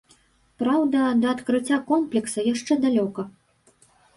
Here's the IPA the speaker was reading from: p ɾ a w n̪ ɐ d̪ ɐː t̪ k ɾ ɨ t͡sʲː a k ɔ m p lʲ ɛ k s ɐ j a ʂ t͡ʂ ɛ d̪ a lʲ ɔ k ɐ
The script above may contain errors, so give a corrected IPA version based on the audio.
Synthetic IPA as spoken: p ɾ a w d̪ ɐ d̪ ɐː t̪ k ɾ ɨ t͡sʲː a k ɔ m p lʲ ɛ k s ɐ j a ʂ t͡ʂ ɛ d̪ a lʲ ɔ k ɐ